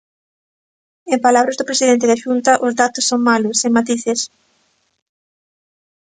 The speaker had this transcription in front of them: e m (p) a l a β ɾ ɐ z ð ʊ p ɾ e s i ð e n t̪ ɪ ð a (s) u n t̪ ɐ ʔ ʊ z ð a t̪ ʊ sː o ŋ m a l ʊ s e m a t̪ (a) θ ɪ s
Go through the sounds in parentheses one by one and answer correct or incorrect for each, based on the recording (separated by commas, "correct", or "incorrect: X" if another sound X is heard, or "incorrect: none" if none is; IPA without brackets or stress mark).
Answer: correct, incorrect: ʃ, incorrect: i